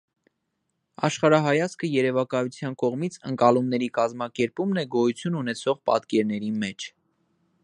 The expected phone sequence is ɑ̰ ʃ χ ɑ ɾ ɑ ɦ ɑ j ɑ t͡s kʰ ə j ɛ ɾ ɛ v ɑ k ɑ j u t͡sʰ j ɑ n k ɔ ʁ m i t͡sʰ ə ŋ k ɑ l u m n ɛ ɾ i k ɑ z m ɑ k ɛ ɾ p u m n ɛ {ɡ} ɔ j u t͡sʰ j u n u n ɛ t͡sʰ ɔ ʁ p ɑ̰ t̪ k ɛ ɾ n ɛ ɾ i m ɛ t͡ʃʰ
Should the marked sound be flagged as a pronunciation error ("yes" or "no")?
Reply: no